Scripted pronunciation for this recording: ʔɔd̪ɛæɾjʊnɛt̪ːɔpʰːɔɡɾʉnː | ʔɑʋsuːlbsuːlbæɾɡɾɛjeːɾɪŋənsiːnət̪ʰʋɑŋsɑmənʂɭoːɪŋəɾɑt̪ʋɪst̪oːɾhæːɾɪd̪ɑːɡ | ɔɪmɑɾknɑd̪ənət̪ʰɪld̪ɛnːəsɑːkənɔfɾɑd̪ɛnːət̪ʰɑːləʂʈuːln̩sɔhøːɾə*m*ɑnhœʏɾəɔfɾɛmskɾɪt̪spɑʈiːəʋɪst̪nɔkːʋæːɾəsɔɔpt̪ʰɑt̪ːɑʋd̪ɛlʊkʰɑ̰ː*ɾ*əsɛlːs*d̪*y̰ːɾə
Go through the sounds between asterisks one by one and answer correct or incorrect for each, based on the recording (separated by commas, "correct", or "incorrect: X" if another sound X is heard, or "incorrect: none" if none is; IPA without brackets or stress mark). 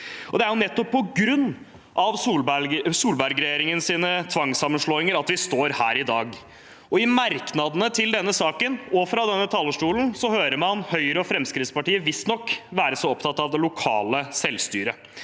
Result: correct, incorrect: l, incorrect: t̪